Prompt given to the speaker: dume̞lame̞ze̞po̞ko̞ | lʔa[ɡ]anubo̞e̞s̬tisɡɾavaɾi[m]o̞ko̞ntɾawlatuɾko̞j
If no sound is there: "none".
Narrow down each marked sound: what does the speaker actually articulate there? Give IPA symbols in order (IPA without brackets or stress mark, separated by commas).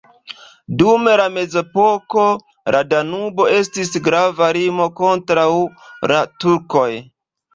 d, m